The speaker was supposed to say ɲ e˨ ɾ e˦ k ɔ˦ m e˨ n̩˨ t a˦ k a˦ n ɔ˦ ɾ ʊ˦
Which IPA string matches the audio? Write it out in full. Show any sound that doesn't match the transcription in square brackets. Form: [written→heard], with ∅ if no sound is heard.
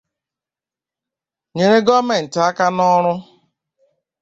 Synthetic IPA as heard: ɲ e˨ ɾ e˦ [k→ɡ] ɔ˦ m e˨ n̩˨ t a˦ k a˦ n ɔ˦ ɾ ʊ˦